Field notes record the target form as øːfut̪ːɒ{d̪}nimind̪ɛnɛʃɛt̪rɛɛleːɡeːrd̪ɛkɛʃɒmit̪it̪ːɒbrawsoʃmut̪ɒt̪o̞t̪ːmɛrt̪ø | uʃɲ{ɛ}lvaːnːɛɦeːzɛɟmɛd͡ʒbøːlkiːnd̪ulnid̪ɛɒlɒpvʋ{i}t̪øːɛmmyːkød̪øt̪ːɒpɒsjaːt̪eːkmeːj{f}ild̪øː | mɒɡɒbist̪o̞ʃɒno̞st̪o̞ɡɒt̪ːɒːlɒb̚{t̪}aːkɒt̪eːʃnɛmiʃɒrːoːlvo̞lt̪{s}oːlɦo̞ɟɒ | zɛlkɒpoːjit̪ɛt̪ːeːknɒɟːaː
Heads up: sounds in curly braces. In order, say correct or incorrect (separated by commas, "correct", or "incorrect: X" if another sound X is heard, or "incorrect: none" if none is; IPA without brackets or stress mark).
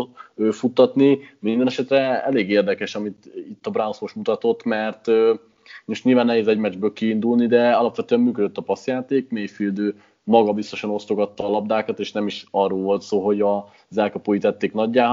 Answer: incorrect: t̪, incorrect: i, incorrect: ɛ, correct, incorrect: d̪, correct